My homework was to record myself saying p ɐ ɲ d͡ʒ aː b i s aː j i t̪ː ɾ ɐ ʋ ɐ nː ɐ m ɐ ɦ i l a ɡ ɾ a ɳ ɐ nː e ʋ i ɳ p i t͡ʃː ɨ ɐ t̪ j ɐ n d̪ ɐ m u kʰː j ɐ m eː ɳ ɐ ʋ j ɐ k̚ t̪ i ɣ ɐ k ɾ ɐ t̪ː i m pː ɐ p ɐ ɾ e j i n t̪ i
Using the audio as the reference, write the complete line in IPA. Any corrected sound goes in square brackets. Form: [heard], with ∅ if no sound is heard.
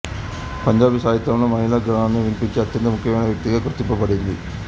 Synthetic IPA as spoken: p ɐ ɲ d͡ʒ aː b i s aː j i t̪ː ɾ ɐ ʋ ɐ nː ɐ m ɐ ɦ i l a ɡ ɾ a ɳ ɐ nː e ʋ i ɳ p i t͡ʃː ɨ ɐ t̪ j ɐ n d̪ ɐ m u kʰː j ɐ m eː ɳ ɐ ʋ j ɐ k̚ t̪ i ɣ ɐ k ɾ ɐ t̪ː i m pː ɐ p ɐ [ɽ] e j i n [d̪] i